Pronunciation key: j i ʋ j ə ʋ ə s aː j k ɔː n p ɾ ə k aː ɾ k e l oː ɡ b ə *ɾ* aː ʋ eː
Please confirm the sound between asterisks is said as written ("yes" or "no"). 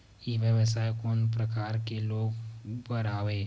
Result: yes